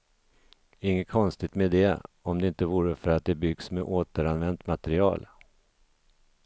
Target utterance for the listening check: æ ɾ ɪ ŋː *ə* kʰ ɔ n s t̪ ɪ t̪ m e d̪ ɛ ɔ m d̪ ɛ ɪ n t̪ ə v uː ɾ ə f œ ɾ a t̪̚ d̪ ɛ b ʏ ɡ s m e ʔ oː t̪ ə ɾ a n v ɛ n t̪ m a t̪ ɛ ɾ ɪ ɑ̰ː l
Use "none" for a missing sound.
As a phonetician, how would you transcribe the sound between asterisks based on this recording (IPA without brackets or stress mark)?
ə